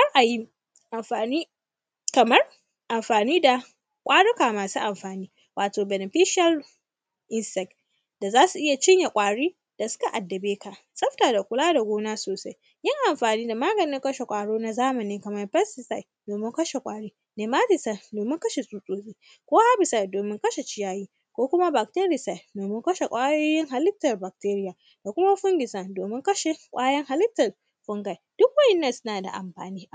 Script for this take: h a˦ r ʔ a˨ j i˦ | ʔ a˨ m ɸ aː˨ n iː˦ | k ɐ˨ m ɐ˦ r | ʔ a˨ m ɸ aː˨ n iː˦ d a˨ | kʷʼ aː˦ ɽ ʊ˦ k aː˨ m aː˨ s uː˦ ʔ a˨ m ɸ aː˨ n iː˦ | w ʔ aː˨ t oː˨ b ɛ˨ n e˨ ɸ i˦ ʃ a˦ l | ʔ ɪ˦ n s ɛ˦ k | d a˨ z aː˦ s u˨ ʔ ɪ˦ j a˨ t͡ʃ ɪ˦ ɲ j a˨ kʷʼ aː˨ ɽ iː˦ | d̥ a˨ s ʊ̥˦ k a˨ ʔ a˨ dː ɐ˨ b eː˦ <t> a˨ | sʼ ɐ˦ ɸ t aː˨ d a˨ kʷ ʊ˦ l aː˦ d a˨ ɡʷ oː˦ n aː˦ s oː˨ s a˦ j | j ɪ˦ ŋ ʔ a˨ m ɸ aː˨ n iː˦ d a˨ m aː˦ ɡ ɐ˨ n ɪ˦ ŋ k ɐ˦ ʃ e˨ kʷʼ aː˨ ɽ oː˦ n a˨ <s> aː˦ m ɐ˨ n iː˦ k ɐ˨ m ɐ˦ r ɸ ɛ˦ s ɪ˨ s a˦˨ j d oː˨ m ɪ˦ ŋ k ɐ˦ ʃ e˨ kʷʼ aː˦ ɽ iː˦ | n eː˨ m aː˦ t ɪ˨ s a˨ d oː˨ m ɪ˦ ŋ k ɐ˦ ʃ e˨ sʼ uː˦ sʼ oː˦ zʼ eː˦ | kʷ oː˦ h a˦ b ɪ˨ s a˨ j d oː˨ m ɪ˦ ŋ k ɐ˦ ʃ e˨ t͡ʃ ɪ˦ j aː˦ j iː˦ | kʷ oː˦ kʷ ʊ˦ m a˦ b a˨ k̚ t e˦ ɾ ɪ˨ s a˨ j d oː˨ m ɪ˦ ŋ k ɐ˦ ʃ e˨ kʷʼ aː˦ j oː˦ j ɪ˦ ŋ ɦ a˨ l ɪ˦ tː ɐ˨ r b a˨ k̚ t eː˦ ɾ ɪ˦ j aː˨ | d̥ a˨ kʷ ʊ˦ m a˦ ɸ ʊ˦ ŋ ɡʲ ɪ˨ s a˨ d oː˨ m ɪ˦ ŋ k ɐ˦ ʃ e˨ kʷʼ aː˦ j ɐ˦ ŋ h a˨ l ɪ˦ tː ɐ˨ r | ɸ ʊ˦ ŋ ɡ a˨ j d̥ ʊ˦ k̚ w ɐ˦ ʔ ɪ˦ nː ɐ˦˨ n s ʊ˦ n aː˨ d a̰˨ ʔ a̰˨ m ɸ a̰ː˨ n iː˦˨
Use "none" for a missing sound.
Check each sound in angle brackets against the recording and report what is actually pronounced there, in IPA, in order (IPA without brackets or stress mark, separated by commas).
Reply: k, z